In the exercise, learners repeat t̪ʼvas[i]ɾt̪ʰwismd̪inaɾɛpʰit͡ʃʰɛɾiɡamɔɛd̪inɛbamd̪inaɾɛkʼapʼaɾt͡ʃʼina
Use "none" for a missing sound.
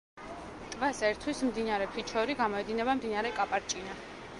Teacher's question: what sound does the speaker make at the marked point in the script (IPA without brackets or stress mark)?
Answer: ɛ